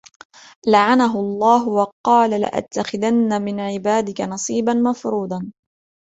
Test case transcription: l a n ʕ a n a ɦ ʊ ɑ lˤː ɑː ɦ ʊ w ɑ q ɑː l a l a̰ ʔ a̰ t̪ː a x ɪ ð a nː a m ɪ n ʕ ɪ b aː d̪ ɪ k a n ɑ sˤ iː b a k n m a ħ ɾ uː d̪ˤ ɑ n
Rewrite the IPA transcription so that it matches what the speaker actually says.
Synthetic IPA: l a ʕ a n a ɦ ʊ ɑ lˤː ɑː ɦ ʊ w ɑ q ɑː l a l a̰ ʔ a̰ t̪ː a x ɪ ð a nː a m ɪ n ʕ ɪ b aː d̪ ɪ k a n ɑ sˤ iː b a n m a f ɾ uː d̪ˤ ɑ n